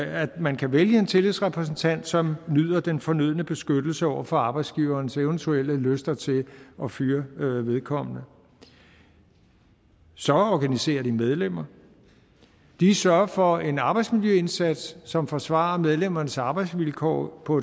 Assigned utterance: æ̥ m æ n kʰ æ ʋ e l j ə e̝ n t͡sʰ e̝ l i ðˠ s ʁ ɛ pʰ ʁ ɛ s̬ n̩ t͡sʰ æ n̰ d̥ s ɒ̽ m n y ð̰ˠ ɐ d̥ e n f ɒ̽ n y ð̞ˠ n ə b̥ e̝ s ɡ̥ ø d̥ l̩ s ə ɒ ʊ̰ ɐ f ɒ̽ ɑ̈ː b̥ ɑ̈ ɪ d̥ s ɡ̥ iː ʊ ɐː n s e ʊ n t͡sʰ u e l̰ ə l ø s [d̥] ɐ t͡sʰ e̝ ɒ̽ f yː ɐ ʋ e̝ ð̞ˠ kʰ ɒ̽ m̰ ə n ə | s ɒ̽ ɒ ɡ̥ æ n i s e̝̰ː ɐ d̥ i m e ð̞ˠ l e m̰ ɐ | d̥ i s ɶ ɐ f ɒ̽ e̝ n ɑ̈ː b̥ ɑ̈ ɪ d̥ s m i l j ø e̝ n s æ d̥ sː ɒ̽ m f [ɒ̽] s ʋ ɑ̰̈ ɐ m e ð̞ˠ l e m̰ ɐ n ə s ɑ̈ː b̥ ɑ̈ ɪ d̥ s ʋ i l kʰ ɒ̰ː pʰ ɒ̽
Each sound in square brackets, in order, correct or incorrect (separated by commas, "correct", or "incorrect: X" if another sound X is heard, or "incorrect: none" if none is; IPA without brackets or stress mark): correct, correct